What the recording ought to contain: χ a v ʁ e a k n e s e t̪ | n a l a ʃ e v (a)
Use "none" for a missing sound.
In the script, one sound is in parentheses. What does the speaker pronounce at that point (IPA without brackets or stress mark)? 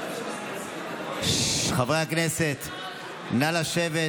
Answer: e